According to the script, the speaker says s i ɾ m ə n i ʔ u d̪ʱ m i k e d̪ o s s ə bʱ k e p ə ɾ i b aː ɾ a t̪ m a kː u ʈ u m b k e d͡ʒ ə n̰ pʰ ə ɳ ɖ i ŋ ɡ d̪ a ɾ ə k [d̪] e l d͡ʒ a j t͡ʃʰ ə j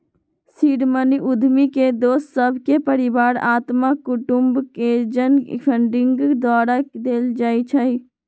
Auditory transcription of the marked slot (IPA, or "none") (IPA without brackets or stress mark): d̪